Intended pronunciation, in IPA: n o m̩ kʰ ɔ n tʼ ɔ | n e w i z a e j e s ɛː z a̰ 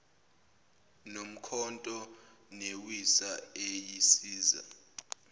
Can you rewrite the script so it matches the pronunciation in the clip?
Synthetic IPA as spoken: n o m̩ kʰ ɔ n tʼ ɔ | n e w i s a e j i s iː z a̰